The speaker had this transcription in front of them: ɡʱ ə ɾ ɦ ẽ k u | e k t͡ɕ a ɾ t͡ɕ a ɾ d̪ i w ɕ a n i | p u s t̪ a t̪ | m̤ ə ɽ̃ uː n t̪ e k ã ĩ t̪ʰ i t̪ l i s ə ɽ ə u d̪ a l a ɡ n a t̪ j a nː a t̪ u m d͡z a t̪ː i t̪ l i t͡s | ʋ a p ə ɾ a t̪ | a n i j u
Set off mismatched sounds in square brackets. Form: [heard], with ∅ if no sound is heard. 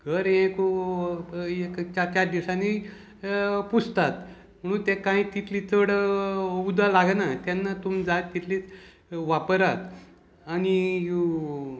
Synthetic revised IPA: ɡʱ ə ɾ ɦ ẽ k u | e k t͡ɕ a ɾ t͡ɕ a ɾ d̪ i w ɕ a n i | p u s t̪ a t̪ | m̤ ə ɽ̃ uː n t̪ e k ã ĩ [t̪] i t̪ l i [t͡s] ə ɽ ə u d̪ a l a ɡ n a t̪ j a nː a t̪ u m d͡z a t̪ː i t̪ l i t͡s | ʋ a p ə ɾ a t̪ | a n i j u